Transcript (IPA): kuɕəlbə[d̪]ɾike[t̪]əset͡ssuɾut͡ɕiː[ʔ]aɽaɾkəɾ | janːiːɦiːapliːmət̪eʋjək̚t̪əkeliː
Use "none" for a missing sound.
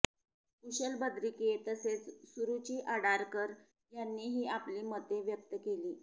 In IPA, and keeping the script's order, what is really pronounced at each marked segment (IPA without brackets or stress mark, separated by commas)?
d̪, t̪, ʔ